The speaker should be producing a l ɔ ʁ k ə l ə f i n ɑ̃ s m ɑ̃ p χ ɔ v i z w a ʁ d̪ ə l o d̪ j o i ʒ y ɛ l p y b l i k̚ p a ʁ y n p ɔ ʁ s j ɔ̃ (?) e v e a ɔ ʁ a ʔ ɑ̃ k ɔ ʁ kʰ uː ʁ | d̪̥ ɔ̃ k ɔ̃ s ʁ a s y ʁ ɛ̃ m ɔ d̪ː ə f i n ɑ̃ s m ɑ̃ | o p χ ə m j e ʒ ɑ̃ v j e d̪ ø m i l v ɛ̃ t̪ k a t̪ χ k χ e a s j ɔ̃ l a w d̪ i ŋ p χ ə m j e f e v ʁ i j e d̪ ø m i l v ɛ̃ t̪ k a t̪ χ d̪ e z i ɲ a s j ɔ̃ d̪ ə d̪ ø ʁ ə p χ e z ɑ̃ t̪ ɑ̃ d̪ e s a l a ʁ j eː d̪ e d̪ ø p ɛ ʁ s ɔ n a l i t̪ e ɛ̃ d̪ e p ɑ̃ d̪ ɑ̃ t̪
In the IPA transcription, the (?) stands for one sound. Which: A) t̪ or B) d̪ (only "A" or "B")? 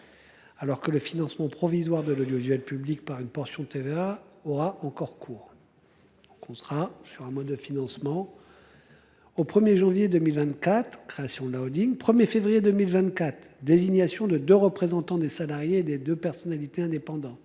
A